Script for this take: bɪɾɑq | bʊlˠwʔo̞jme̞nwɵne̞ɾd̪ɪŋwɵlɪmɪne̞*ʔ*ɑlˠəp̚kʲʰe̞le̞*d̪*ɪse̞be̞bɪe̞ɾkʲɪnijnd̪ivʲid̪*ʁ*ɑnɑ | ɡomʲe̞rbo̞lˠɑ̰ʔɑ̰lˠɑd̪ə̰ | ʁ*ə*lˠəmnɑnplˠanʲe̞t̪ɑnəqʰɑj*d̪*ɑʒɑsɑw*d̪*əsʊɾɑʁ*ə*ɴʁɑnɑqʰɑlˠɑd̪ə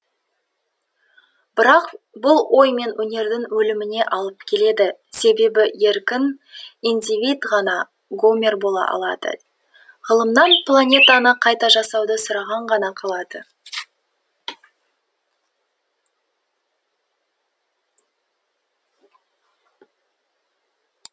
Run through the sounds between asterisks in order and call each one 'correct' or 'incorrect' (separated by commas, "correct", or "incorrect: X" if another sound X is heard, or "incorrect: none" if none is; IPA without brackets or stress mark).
correct, correct, correct, correct, incorrect: t̪, correct, incorrect: ɑ